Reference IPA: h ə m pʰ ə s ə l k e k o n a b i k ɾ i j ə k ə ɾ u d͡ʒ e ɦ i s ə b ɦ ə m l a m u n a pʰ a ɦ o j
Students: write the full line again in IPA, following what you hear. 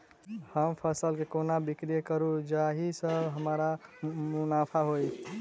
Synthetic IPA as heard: h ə m pʰ ə s ə l k e k o n a b i k ɾ i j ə k ə ɾ u d͡ʒ a ɦ i s ə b ɦ ə m ɾ a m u n a pʰ a ɦ o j